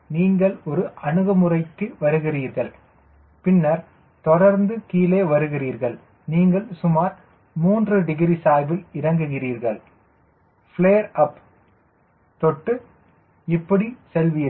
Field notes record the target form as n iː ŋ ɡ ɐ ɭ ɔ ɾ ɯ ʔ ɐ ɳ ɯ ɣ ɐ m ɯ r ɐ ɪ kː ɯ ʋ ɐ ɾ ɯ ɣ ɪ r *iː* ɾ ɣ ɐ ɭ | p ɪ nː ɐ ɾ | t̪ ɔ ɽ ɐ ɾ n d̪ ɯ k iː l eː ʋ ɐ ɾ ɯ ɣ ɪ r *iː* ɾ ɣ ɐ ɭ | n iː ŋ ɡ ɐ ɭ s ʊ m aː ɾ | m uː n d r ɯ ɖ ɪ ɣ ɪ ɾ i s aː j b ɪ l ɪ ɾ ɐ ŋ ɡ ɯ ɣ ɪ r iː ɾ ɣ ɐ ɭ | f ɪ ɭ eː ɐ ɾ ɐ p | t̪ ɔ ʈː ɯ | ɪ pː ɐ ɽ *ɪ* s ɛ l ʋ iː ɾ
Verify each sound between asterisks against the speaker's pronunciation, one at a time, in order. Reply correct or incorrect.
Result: correct, correct, incorrect

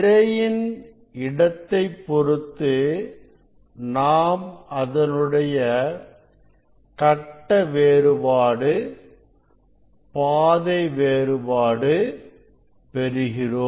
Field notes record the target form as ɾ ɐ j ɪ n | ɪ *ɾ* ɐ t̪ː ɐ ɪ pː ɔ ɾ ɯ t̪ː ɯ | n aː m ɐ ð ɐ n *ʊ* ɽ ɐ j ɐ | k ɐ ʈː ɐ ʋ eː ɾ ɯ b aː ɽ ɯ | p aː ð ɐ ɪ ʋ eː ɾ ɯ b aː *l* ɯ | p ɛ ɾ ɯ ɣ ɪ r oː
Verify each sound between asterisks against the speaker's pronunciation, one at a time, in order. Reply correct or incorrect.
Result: incorrect, incorrect, incorrect

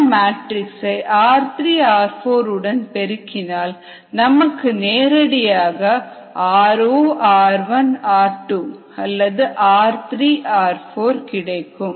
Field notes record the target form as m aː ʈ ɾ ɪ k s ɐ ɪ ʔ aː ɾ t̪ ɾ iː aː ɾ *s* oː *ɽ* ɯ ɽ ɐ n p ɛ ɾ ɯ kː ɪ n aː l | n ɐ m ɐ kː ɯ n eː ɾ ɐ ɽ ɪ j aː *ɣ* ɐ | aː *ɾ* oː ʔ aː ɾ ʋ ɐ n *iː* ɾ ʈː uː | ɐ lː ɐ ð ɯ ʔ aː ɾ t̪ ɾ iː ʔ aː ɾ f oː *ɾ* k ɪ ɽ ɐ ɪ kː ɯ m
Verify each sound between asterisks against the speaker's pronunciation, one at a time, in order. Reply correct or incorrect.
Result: incorrect, incorrect, correct, correct, incorrect, correct

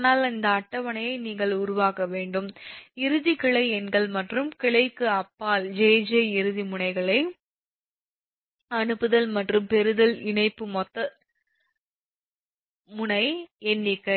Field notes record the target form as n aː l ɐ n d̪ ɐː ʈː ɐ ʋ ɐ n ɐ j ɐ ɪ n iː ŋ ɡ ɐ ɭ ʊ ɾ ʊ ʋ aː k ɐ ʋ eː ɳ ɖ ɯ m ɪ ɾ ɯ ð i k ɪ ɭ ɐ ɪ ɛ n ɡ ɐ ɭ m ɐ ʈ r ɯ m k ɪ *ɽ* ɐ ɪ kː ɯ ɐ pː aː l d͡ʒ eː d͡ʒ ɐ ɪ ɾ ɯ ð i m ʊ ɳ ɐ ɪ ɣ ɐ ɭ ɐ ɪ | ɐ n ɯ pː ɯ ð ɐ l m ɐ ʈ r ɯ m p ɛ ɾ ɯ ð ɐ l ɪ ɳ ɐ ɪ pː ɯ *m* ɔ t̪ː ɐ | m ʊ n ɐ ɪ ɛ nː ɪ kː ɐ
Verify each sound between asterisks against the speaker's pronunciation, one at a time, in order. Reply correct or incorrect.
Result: incorrect, correct

